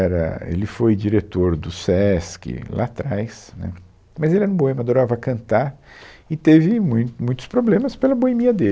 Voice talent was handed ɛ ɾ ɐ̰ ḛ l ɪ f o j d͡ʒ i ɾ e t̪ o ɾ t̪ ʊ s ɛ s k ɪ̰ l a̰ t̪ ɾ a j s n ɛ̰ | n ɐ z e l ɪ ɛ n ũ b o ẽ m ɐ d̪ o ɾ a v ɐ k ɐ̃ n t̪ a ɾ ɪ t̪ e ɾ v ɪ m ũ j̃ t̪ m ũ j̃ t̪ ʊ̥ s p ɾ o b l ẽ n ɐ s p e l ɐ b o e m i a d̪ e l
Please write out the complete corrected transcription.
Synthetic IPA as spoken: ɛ ɾ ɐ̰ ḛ l ɪ f o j d͡ʒ i ɾ e t̪ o ɾ d̪ ʊ s ɛ s k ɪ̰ l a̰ t̪ ɾ a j s n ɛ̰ | m ɐ z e l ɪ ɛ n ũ b o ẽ m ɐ d̪ o ɾ a v ɐ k ɐ̃ n t̪ a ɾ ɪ t̪ e v ɪ m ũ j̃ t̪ m ũ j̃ t̪ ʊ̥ s p ɾ o b l ẽ m ɐ s p e l ɐ b o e m i ɐ d̪ e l